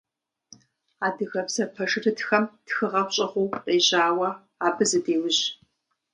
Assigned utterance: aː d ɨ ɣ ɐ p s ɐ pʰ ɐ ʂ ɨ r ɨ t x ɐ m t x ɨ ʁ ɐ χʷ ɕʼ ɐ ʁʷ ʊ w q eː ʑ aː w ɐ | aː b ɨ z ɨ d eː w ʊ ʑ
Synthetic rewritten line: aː d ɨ ɣ ɐ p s ɐ pʰ ɐ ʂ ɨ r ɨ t x ɐ m t x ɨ ʁ ɐ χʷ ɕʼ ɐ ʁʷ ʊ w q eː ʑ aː w ɐ | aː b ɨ z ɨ d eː w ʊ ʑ